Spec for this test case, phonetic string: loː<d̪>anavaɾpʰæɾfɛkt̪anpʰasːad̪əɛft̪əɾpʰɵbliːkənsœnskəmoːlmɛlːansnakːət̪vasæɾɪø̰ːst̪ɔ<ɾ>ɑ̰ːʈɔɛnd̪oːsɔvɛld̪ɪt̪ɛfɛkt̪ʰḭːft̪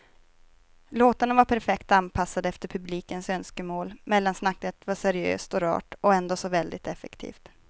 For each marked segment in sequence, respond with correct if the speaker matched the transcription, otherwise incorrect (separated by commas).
incorrect, correct